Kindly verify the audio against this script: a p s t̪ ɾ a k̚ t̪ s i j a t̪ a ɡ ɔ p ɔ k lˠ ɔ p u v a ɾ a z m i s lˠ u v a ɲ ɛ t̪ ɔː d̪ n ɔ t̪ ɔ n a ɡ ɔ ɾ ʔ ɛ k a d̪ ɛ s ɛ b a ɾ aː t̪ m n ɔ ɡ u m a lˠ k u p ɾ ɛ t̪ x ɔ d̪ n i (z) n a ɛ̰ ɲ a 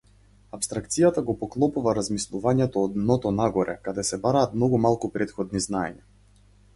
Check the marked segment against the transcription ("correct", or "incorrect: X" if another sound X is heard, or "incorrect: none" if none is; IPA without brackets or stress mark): correct